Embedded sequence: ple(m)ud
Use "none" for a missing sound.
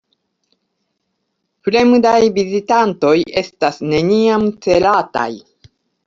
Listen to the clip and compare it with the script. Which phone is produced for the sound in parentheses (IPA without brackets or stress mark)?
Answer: m